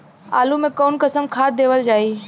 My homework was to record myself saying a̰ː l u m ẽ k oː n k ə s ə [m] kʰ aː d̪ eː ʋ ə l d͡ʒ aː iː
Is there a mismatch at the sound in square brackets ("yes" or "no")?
no